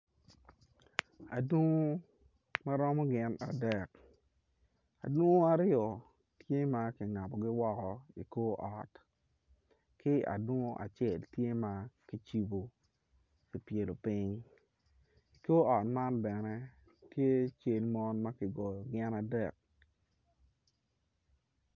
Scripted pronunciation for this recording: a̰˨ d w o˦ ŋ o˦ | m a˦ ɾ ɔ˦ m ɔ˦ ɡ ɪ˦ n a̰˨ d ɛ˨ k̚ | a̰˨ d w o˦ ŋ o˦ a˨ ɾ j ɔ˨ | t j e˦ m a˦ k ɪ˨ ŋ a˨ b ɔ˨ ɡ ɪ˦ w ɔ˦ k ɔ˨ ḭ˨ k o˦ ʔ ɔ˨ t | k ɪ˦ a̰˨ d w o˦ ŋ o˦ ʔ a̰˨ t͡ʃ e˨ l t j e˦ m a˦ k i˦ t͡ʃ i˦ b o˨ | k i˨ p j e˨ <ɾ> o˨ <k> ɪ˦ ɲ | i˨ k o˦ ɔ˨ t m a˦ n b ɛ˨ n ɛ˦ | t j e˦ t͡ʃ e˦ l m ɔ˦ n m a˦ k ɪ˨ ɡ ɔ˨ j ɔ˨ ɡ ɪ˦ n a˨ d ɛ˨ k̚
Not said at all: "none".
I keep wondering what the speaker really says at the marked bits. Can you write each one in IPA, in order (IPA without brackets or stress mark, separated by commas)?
l, p